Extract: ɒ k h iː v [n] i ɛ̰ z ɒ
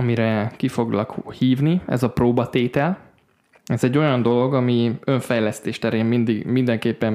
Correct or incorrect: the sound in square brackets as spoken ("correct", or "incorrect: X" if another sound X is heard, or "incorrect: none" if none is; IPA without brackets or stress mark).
correct